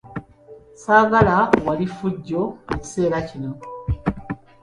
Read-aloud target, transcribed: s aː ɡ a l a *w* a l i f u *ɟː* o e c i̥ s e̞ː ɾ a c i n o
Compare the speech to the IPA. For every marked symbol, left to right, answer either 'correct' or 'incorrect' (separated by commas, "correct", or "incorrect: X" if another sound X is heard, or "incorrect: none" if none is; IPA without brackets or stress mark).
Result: correct, correct